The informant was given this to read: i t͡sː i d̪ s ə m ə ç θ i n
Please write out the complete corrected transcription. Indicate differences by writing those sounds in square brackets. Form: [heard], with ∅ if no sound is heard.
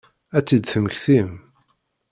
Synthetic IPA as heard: [æ] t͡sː i d̪ [θ] ə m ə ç θ i [m]